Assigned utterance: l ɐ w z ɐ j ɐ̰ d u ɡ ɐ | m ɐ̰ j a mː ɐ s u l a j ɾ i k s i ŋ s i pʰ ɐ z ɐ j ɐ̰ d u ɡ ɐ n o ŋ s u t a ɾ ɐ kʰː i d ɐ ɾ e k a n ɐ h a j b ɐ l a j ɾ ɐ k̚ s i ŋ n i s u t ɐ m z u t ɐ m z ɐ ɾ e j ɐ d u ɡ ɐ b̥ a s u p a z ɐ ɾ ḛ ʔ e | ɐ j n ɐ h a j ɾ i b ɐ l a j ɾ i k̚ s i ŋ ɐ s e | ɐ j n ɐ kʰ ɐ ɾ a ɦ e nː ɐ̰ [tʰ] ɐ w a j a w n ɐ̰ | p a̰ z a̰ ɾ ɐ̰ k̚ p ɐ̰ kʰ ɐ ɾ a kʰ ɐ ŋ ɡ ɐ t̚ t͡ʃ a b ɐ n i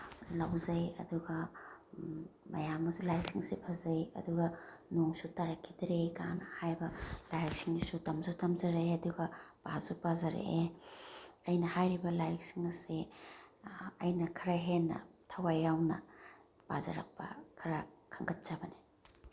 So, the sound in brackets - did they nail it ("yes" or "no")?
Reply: yes